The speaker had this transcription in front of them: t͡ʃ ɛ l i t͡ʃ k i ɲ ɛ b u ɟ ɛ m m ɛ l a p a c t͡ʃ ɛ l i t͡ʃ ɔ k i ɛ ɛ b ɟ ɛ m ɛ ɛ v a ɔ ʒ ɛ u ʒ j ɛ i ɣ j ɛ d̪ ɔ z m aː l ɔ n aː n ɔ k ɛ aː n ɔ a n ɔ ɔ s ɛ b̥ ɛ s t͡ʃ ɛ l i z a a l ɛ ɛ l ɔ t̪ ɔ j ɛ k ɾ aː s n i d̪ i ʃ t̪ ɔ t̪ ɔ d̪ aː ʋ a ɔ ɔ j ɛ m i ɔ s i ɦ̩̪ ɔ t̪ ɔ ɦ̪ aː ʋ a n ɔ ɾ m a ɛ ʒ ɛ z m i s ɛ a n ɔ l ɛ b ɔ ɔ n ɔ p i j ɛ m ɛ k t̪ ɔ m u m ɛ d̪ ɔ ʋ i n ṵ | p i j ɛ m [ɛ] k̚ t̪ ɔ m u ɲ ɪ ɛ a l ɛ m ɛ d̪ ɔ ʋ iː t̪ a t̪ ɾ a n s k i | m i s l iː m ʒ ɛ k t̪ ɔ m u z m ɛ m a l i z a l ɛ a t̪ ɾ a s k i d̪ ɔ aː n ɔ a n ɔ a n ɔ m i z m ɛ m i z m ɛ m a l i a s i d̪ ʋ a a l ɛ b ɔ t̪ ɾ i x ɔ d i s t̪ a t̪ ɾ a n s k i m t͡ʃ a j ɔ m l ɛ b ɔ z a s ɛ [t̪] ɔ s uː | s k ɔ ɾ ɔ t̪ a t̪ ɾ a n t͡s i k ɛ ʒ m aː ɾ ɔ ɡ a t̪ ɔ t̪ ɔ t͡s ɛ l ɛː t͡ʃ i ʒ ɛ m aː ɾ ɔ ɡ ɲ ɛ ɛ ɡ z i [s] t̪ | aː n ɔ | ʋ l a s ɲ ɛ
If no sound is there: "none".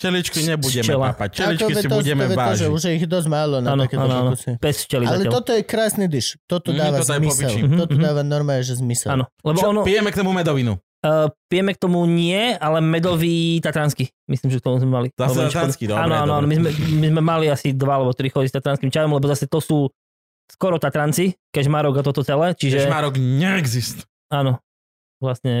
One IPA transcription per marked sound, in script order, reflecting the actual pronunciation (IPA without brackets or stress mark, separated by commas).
ɛ, t̪, s